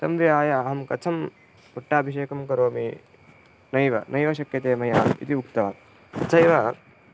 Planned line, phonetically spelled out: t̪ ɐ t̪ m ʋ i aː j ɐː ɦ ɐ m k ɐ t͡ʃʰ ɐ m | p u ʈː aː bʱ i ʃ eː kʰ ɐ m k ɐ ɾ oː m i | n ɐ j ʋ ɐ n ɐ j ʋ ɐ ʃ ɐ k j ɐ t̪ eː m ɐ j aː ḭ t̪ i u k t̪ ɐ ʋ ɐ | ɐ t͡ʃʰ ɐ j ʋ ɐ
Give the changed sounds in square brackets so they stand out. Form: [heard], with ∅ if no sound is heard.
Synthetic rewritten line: t̪ ɐ [∅] m ʋ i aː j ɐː ɦ ɐ m k ɐ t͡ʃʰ ɐ m | p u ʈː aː bʱ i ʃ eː [k] ɐ m k ɐ ɾ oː m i | n ɐ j ʋ ɐ n ɐ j ʋ ɐ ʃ ɐ k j ɐ t̪ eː m ɐ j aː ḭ t̪ i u k t̪ ɐ ʋ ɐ | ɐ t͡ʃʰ ɐ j ʋ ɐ